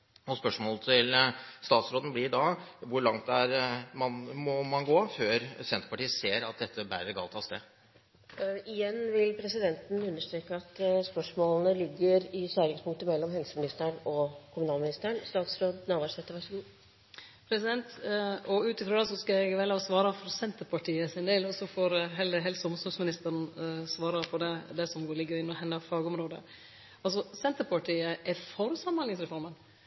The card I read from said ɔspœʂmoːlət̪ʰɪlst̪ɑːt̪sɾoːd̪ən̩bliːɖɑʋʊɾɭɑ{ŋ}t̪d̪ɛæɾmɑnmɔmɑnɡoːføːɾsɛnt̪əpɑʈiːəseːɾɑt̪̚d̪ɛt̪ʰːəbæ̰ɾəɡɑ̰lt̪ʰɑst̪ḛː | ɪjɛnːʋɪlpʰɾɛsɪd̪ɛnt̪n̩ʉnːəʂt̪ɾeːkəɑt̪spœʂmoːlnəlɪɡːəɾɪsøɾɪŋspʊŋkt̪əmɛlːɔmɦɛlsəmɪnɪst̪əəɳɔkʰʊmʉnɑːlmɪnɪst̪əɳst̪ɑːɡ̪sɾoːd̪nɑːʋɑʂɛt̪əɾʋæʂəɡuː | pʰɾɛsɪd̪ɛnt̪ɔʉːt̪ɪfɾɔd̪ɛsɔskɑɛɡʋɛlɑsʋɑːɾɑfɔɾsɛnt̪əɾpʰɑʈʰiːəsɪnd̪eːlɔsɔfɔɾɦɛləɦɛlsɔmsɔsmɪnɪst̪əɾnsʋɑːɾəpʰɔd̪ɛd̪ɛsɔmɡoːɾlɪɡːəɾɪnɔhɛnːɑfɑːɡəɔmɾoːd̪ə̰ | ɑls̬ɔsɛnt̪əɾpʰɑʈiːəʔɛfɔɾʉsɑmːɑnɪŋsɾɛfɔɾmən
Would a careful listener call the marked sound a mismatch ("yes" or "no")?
no